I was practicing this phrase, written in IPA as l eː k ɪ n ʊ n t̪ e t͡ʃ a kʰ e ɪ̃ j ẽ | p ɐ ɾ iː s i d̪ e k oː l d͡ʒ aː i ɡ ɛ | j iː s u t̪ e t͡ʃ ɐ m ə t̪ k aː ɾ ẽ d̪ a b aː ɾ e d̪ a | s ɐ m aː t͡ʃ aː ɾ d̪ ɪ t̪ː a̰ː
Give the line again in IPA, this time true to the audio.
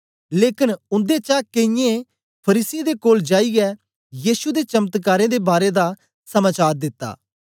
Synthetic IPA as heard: l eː k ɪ n ʊ n d̪ e t͡ʃ a k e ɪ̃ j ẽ | pʰ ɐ ɾ iː s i d̪ e k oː l d͡ʒ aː i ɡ ɛ | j iː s u d̪ e t͡ʃ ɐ m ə t̪ k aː ɾ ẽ d̪ e b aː ɾ e d̪ a | s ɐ m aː t͡ʃ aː ɾ d̪ ɪ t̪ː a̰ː